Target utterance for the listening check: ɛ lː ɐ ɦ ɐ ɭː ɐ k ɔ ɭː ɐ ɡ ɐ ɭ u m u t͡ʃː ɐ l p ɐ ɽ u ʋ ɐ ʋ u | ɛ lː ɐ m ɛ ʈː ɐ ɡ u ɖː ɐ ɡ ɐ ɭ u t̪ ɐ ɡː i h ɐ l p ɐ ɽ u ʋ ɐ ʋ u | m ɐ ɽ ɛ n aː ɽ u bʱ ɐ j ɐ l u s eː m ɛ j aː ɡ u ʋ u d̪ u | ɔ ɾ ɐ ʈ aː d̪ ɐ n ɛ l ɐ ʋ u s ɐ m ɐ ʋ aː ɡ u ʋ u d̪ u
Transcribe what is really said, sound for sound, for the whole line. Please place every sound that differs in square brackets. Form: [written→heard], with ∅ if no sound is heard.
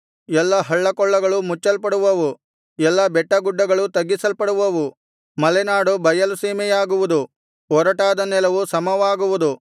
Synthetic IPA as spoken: ɛ lː ɐ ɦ ɐ ɭː ɐ k ɔ ɭː ɐ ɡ ɐ ɭ u m u t͡ʃː ɐ l p ɐ ɽ u ʋ ɐ ʋ u | ɛ lː ɐ [m→b] ɛ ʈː ɐ ɡ u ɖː ɐ ɡ ɐ ɭ u t̪ ɐ ɡː i [h→s] ɐ l p ɐ ɽ u ʋ ɐ ʋ u | m ɐ [ɽ→l] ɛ n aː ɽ u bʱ ɐ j ɐ l u s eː m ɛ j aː ɡ u ʋ u d̪ u | ɔ ɾ ɐ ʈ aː d̪ ɐ n ɛ l ɐ ʋ u s ɐ m ɐ ʋ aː ɡ u ʋ u d̪ u